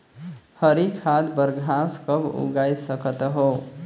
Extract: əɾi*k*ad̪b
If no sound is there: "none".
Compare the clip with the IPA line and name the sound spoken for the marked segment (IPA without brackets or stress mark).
kʰ